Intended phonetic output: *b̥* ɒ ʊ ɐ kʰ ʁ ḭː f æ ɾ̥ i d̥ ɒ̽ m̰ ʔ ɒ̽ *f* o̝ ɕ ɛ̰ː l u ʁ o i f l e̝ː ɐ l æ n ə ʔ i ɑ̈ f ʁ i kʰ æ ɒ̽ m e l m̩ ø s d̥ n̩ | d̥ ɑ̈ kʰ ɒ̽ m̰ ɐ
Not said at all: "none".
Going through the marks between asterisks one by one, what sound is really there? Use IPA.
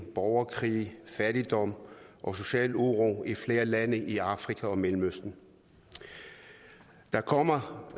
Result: b̥, s

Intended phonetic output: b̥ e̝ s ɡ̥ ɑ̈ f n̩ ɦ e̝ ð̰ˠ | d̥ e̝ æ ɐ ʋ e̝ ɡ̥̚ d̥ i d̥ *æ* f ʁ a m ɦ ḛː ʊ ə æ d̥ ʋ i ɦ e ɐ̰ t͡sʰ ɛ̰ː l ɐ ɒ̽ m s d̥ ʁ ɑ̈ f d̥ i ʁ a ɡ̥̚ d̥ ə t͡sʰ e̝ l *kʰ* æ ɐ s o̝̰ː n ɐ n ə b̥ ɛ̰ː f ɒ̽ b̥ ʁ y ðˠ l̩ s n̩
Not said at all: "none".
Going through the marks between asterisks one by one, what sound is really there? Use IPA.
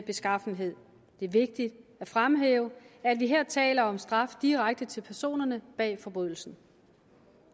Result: æ, pʰ

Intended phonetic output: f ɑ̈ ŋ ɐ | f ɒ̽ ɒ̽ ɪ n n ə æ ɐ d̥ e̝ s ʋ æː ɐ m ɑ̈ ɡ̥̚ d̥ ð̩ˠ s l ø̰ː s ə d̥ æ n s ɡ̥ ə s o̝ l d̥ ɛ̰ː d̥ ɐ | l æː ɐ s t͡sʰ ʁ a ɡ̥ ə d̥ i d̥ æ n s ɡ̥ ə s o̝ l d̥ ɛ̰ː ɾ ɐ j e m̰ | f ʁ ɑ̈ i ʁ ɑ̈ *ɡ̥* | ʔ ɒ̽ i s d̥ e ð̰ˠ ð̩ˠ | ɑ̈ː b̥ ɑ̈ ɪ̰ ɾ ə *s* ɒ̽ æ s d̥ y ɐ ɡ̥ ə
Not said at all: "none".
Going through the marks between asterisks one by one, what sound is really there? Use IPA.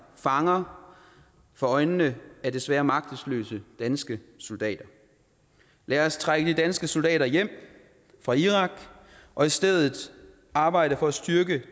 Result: ɡ̥, f

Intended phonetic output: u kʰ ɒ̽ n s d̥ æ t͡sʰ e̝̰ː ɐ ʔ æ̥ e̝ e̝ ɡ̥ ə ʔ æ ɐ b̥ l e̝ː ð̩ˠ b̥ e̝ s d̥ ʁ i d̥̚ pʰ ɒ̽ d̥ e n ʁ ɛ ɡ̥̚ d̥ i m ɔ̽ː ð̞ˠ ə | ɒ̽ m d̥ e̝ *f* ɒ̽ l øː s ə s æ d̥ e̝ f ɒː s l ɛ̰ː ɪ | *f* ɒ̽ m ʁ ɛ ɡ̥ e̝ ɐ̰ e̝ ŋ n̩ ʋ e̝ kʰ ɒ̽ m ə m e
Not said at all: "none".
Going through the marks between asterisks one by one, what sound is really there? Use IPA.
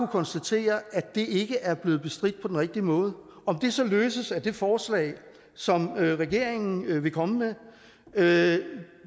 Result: s, s

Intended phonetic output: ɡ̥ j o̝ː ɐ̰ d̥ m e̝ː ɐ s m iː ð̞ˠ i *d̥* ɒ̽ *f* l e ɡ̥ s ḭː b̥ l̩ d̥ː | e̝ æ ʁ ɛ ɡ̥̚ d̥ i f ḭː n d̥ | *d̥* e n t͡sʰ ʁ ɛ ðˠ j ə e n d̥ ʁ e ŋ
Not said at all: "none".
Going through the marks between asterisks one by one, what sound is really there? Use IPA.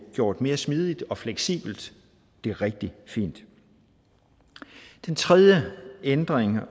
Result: d̥, f, d̥

